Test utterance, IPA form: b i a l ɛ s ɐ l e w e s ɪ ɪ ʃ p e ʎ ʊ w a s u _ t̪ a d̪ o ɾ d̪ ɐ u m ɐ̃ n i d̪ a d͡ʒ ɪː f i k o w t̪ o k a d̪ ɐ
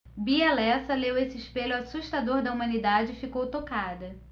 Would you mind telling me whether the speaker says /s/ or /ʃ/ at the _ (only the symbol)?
ʃ